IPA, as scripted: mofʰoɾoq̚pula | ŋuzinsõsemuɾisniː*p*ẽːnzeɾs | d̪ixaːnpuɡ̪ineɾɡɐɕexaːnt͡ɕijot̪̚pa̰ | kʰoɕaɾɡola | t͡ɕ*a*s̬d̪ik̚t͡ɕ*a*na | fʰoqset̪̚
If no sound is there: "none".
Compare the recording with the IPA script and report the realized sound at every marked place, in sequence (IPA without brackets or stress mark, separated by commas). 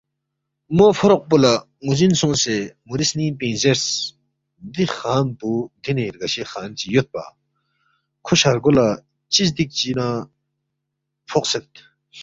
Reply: p, i, i